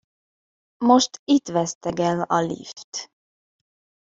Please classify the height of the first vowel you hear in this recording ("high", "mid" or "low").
mid